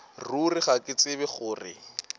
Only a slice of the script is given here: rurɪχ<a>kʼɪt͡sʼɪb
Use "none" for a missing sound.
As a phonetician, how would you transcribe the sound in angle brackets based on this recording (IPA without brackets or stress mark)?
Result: a